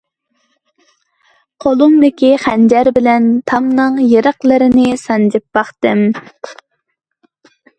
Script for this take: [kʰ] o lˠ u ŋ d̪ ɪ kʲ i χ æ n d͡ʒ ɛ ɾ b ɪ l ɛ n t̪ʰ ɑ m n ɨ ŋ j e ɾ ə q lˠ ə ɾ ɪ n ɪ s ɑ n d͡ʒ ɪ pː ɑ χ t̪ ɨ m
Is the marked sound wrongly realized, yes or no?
yes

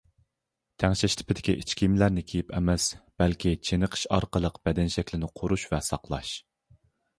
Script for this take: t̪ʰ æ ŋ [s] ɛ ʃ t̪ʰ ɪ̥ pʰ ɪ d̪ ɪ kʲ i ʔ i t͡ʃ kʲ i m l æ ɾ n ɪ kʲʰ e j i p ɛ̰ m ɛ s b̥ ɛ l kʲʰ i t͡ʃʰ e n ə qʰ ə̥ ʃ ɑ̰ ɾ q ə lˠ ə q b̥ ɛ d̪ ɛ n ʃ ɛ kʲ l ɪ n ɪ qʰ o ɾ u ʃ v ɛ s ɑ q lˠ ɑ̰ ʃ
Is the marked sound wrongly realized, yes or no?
yes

